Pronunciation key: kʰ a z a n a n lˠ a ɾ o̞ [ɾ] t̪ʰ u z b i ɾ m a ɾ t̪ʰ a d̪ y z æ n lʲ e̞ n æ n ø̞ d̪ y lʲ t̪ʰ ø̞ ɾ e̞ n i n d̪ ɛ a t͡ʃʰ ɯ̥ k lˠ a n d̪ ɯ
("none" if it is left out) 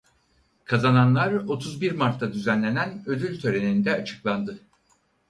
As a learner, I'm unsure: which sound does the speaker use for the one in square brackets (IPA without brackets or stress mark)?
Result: none